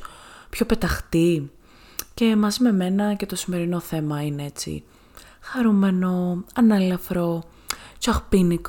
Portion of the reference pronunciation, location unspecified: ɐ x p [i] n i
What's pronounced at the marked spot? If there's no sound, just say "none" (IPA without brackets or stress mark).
i